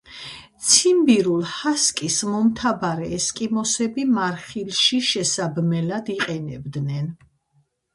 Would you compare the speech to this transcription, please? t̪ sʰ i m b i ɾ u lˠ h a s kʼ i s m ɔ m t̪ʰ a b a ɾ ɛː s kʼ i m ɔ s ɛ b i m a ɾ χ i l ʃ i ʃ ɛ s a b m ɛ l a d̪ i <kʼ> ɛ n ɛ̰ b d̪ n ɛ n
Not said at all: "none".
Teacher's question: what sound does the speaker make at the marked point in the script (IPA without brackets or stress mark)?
qʼ